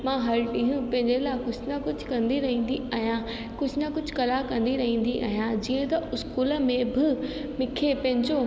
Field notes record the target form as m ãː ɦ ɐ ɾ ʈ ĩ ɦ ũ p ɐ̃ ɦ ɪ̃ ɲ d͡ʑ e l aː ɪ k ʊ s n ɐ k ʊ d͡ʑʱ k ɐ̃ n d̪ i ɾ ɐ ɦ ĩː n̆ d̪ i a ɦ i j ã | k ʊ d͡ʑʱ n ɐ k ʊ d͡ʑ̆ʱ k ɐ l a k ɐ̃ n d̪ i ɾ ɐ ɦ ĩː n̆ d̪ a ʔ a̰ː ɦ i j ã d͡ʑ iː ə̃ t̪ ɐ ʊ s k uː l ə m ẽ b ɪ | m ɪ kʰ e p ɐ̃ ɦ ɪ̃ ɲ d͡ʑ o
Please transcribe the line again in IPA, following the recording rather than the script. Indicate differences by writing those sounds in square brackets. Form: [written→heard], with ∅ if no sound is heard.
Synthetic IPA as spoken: m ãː ɦ ɐ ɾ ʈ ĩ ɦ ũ p ɐ̃ ɦ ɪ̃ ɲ d͡ʑ e l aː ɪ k ʊ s n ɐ k ʊ d͡ʑʱ k ɐ̃ n d̪ i ɾ ɐ ɦ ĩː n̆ d̪ i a ɦ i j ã | k ʊ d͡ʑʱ n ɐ k ʊ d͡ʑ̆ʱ k ɐ l a k ɐ̃ n d̪ i ɾ ɐ ɦ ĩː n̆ d̪ [a→i] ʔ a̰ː ɦ i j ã d͡ʑ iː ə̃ t̪ ɐ ʊ s k uː l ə m ẽ b ɪ | m ɪ kʰ e p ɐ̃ ɦ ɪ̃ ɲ d͡ʑ o